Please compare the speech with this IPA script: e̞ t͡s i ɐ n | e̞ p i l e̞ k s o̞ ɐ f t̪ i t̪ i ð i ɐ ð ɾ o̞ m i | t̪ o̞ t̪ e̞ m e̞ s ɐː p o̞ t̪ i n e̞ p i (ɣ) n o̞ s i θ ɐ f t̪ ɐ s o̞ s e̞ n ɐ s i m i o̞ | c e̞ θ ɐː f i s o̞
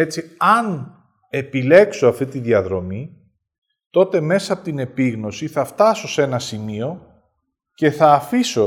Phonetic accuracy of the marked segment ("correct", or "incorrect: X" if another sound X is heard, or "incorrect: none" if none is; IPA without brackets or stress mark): correct